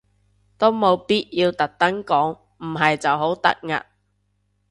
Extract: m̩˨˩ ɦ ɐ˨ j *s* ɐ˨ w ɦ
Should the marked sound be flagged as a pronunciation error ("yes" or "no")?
yes